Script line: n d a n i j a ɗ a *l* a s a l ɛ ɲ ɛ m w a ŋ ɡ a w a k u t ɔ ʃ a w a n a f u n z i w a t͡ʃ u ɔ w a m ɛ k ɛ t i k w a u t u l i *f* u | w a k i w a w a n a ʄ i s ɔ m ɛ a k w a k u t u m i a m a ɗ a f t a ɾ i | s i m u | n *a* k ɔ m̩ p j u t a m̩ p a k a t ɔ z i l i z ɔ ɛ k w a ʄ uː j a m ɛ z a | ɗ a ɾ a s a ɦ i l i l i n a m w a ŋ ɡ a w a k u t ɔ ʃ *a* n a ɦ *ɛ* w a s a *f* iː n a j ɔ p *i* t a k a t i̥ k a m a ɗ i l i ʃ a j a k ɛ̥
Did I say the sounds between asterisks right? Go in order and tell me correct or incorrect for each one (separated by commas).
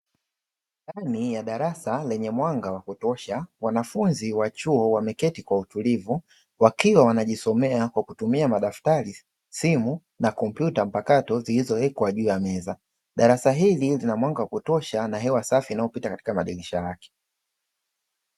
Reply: incorrect, incorrect, correct, correct, correct, correct, correct